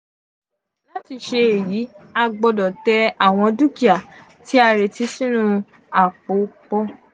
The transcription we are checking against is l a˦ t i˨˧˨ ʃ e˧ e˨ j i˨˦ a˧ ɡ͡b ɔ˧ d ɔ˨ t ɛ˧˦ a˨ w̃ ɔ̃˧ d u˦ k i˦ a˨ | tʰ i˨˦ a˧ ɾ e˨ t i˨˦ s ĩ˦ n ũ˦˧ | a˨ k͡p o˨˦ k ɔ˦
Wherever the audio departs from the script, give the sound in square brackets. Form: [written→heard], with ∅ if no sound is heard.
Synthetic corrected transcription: l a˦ t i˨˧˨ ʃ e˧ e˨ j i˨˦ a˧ ɡ͡b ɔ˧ d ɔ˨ t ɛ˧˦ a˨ w̃ ɔ̃˧ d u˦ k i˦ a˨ | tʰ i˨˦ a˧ ɾ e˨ t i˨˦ s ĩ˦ n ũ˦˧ | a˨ k͡p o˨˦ [k→k͡p] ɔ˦